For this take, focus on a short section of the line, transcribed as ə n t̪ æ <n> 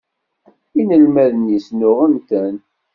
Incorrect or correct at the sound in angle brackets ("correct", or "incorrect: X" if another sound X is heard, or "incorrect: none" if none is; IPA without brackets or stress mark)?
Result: correct